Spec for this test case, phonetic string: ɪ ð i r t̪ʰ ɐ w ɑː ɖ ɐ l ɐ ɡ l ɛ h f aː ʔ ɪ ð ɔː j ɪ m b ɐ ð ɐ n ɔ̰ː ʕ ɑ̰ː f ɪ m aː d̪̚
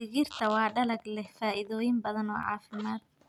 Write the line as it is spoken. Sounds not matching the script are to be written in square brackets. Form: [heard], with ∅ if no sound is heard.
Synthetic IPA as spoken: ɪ [ɣ] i r t̪ʰ ɐ w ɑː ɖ ɐ l ɐ ɡ l ɛ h f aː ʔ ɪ ð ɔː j ɪ m b ɐ ð ɐ n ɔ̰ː ʕ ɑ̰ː f ɪ m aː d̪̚